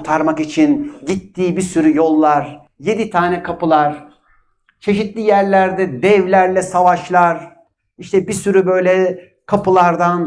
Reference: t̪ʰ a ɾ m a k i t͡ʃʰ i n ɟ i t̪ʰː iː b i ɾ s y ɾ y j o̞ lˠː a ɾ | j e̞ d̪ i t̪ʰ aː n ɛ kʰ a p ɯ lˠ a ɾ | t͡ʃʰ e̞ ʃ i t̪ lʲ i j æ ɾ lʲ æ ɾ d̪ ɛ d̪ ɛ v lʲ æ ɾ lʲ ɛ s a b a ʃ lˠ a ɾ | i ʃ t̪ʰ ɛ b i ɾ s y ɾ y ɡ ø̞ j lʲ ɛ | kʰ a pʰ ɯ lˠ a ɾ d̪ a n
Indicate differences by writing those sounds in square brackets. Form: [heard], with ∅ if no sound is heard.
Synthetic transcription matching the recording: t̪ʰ a ɾ m a k i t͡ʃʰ i n ɟ i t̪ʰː iː b i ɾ s y ɾ y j o̞ lˠː a ɾ | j e̞ d̪ i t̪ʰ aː n ɛ kʰ a p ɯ lˠ a ɾ | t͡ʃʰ e̞ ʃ i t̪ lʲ i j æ ɾ lʲ æ ɾ d̪ ɛ d̪ ɛ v lʲ æ ɾ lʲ ɛ s a [v] a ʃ lˠ a ɾ | i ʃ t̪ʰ ɛ b i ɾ s y ɾ y [b] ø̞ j lʲ ɛ | kʰ a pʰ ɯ lˠ a ɾ d̪ a n